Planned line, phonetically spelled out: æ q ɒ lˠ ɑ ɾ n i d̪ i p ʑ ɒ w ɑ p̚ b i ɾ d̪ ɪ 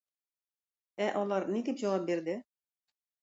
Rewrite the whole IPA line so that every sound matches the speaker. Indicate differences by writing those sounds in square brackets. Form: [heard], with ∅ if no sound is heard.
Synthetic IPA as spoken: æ [ʔ] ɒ lˠ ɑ ɾ n i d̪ i p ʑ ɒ w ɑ p̚ b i ɾ d̪ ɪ